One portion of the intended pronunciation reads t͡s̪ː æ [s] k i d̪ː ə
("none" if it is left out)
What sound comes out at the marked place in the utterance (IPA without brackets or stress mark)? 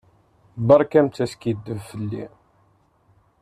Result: s